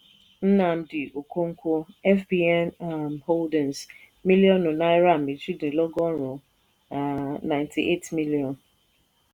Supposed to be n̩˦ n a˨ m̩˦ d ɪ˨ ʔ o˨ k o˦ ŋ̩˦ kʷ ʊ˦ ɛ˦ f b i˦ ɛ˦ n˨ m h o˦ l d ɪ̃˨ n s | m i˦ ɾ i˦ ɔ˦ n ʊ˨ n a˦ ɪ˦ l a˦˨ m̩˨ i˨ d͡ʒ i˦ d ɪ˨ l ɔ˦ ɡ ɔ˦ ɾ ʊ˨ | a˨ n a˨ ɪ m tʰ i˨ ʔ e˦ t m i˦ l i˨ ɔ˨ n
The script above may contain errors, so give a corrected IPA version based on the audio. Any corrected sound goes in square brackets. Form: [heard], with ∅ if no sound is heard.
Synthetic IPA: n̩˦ n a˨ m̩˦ d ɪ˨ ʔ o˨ k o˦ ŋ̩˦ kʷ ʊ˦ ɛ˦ f b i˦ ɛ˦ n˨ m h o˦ l d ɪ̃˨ n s | m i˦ [l] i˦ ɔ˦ n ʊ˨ n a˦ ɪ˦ [ɾ] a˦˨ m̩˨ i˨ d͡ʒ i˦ d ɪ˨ l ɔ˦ ɡ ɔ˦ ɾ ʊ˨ | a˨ n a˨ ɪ [n] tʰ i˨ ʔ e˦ t m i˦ l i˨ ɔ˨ n